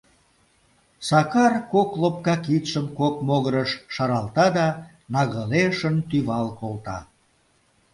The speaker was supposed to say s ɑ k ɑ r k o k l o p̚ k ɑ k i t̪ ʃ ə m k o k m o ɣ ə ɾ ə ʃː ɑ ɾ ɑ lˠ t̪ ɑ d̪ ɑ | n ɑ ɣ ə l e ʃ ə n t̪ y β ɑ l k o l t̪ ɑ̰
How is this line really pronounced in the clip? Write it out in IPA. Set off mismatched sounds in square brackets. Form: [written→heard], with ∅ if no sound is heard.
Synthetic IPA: s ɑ k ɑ r k o k l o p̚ k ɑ k i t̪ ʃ ə m k o k m o ɣ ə ɾ ə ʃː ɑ ɾ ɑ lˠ t̪ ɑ d̪ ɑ | n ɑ ɣ ə l e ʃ ə n t̪ y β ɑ l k o l t̪ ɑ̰